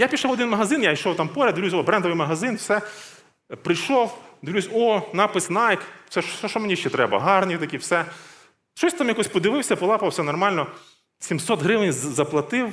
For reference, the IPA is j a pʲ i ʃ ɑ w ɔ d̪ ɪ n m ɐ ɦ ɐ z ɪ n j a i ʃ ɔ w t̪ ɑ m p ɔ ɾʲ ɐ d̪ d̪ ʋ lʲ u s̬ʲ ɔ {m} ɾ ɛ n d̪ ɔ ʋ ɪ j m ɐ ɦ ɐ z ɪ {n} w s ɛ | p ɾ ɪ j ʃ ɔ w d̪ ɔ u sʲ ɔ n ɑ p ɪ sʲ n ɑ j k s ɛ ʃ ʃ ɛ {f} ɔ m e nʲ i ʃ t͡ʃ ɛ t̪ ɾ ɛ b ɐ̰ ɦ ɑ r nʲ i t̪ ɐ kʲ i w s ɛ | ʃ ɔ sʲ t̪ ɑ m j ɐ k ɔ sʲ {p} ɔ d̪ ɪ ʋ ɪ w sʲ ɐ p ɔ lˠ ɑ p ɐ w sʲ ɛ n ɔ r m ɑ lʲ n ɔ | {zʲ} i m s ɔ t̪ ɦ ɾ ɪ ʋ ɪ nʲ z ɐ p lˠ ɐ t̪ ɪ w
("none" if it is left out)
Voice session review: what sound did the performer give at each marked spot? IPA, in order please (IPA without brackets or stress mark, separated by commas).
b, n, ʃ, p, sʲ